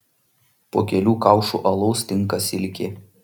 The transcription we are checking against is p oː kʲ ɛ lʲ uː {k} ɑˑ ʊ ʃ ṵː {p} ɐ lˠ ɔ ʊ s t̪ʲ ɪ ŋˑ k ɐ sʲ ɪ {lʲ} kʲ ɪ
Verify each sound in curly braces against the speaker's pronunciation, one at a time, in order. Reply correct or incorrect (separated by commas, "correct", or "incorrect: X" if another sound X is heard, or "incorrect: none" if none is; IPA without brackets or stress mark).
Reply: correct, incorrect: ʔ, correct